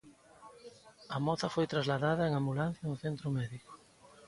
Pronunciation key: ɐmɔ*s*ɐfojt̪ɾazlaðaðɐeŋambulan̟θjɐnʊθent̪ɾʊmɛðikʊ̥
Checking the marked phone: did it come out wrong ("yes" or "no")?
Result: yes